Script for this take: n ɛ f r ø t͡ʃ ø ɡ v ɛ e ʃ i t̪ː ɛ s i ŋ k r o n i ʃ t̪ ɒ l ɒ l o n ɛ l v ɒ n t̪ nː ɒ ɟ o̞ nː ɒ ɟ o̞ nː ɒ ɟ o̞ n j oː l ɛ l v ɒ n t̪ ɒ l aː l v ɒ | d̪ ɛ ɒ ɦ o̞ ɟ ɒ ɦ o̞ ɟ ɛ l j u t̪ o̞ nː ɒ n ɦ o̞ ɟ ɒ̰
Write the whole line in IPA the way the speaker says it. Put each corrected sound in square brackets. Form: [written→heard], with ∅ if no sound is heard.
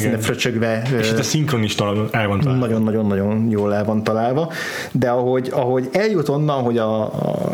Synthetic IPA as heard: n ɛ f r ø t͡ʃ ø ɡ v ɛ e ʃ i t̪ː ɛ s i ŋ k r o n i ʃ t̪ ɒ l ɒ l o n ɛ l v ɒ n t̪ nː ɒ ɟ o̞ nː ɒ ɟ o̞ nː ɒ ɟ o̞ n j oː l ɛ l v ɒ n t̪ ɒ l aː l v ɒ | d̪ ɛ ɒ ɦ o̞ ɟ ɒ ɦ o̞ ɟ ɛ l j u t̪ o̞ nː ɒ n ɦ o̞ ɟ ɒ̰